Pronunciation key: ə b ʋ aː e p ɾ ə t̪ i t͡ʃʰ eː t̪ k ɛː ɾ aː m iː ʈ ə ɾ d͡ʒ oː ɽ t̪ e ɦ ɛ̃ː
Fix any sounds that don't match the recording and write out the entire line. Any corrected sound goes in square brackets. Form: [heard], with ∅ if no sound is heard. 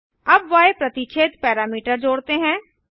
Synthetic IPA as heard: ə b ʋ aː e p ɾ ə t̪ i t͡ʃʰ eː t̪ [p] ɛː ɾ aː m iː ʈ ə ɾ d͡ʒ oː ɽ t̪ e ɦ ɛ̃ː